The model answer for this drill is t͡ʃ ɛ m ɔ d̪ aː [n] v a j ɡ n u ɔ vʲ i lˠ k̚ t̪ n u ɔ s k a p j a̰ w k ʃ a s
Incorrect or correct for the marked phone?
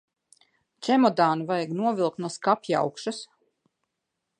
correct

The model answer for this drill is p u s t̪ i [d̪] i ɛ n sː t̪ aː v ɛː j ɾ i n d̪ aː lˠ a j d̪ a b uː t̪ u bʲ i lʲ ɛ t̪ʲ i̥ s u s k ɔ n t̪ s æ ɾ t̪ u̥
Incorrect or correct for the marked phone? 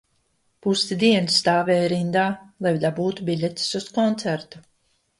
correct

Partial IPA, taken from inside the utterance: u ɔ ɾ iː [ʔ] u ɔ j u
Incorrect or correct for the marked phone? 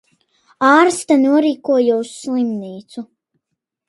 incorrect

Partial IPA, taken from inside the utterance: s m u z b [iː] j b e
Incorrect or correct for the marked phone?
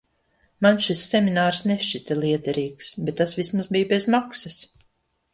incorrect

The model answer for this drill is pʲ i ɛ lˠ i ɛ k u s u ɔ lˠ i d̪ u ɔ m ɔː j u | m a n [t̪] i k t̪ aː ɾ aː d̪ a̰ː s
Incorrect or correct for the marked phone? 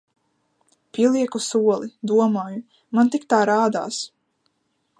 correct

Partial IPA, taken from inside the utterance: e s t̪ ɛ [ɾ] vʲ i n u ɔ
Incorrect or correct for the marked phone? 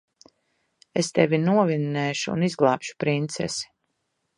incorrect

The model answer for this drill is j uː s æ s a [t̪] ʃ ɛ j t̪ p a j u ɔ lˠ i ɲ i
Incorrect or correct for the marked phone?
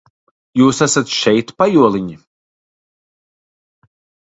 correct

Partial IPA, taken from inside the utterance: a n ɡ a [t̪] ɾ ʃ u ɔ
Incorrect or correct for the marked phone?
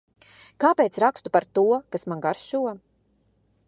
incorrect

